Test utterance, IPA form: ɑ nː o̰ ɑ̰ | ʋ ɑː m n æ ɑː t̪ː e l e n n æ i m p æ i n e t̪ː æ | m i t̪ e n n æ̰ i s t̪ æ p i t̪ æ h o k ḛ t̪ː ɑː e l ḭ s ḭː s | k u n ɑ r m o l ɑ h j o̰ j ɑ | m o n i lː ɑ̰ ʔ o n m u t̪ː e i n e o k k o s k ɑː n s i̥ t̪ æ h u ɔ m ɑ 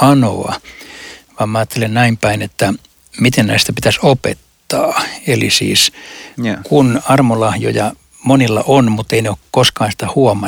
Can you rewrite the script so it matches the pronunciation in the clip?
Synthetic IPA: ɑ n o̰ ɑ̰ | ʋ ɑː m m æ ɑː t̪ː e l e n n æ i m p æ i n e t̪ː æ | m i t̪ e n n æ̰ i s t̪ æ p i t̪ æ s o p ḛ t̪ː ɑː e l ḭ s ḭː s | k u n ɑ r m o l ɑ h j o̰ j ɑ | m o n i lː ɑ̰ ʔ o n m u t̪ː e i n e o k k o s k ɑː n s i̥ t̪ æ h u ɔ m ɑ